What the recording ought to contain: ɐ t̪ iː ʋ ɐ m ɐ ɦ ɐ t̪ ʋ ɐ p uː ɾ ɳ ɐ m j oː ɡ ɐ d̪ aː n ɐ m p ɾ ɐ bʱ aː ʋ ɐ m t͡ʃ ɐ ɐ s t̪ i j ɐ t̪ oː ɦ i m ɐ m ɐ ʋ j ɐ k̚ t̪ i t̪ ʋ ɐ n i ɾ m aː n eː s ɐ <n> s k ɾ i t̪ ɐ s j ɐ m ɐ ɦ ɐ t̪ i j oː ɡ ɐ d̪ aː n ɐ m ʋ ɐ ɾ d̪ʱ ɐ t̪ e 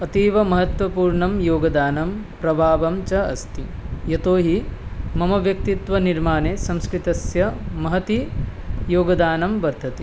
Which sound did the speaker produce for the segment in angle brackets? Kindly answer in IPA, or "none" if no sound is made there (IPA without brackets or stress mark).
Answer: m